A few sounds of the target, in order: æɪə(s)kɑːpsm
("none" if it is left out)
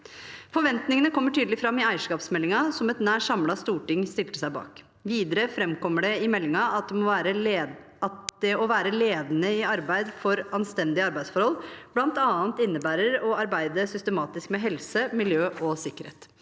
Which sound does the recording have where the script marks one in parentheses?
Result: ʂ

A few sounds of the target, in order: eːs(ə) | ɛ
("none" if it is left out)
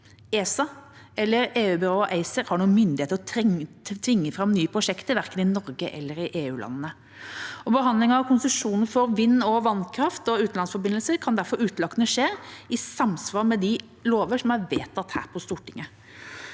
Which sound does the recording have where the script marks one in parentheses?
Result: ɑ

